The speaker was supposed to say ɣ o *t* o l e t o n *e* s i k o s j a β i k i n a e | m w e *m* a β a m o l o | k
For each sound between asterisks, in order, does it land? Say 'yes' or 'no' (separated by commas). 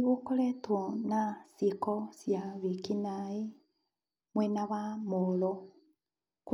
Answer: no, no, no